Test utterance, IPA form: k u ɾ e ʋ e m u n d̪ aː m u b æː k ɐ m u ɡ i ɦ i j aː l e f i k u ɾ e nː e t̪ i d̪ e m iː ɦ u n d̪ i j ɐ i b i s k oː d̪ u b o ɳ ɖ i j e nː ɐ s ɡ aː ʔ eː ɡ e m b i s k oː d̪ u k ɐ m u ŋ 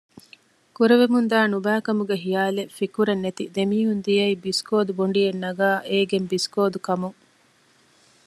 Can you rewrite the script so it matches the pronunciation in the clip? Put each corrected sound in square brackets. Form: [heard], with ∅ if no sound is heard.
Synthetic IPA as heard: k u ɾ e ʋ e m u n d̪ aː [n] u b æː k ɐ m u ɡ [e] ɦ i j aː l e f i k u ɾ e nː e t̪ i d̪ e m iː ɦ u n d̪ i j ɐ i b i s k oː d̪ u b o ɳ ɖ i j e nː ɐ [∅] ɡ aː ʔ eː ɡ e m b i s k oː d̪ u k ɐ m u ŋ